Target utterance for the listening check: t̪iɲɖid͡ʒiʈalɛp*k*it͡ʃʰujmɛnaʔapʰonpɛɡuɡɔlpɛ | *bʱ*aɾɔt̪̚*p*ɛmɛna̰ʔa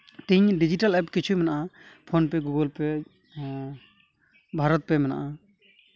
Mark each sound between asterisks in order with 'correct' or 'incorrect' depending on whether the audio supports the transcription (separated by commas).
correct, correct, correct